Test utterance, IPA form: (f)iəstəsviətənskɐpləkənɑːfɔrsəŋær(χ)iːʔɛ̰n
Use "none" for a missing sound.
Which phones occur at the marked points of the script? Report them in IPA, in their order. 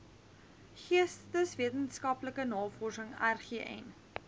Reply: χ, χ

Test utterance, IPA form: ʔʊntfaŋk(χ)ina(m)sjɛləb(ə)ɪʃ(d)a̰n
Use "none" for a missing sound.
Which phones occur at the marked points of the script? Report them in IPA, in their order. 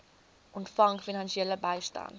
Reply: f, n, a, t

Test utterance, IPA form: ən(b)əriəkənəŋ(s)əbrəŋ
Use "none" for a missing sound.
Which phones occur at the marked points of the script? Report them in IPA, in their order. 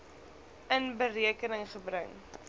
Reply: b, χ

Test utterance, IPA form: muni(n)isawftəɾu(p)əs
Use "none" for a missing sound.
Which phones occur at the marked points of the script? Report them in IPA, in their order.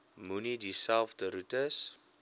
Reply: d, t

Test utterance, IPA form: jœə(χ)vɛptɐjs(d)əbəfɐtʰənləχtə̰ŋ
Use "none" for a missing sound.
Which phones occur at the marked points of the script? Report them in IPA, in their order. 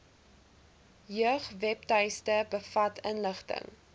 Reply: χ, t

